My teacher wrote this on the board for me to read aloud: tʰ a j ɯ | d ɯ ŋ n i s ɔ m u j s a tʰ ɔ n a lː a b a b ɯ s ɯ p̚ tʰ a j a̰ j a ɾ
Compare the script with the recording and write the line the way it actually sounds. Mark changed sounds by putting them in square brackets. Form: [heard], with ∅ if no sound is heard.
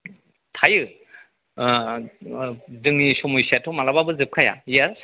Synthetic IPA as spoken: tʰ a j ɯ | d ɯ ŋ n i s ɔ m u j s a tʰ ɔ [m] a [l] a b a b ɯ [z] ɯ p̚ [kʰ] a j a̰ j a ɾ